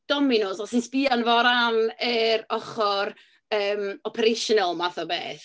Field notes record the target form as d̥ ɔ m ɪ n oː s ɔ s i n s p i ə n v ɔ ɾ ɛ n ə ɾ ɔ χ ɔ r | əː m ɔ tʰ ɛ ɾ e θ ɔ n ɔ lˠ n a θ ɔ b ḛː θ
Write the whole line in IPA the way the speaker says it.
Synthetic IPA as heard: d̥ ɔ m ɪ n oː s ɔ s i n s p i a n v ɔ ɾ a n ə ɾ ɔ χ ɔ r | əː m ɔ pʰ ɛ ɾ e ʃ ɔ n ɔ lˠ m a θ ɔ b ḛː θ